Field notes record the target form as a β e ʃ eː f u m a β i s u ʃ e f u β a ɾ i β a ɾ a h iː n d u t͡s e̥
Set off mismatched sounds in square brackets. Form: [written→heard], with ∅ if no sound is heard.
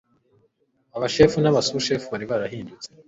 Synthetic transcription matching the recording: a β [e→a] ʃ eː f u [m→n] a β [i→a] s u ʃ e f u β a ɾ i β a ɾ a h iː n d u t͡s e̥